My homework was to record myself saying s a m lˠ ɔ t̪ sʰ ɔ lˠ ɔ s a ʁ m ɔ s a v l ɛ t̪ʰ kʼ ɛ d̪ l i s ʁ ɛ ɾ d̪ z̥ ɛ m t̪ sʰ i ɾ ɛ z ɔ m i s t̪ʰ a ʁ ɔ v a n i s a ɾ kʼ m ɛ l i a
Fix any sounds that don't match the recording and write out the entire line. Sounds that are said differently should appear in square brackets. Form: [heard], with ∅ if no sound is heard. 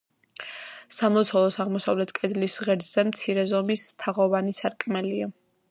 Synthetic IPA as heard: s a m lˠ ɔ t̪ sʰ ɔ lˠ ɔ s a ʁ m ɔ s a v l ɛ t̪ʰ kʼ ɛ d̪ l i s ʁ ɛ ɾ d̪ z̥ ɛ m t̪ sʰ i ɾ ɛ z ɔ m i s t̪ʰ a ʁ ɔ v a n i s a ɾ kʼ m ɛ l i a